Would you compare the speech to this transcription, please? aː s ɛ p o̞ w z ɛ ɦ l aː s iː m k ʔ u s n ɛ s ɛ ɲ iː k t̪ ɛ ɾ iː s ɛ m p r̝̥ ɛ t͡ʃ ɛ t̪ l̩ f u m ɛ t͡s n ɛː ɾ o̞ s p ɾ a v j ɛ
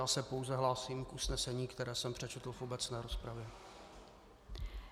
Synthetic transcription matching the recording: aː s ɛ p o̞ w z ɛ ɦ l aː s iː m k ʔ u s n ɛ s ɛ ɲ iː k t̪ ɛ ɾ ɛː s ɛ m p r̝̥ ɛ t͡ʃ ɛ t̪ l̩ f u b ɛ t͡s n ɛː ɾ o̞ s p ɾ a v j ɛ